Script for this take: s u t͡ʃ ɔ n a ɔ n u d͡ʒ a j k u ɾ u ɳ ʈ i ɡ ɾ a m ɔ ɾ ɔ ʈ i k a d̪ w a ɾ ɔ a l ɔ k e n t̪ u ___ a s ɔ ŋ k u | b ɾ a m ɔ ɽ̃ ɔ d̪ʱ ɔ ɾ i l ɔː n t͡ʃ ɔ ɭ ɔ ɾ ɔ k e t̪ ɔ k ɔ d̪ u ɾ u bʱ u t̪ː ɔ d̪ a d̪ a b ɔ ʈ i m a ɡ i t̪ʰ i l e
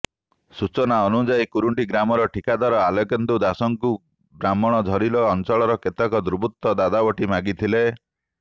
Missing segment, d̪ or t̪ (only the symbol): d̪